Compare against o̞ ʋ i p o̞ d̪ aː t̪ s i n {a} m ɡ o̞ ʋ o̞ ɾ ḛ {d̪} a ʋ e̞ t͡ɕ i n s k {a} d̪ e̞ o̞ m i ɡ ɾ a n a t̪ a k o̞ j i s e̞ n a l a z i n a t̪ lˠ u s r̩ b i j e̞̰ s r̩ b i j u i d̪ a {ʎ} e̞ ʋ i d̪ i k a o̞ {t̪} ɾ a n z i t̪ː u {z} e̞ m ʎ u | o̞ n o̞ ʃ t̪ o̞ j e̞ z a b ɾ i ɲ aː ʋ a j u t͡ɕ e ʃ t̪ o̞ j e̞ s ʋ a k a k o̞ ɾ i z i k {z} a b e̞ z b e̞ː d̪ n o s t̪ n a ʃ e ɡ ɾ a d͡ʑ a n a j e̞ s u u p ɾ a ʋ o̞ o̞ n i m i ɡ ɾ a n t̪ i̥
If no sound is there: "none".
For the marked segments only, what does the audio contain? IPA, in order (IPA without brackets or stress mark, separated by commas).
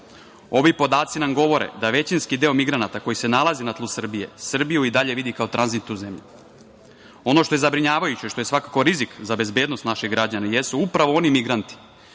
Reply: a, d̪, i, ʎ, t̪, z, z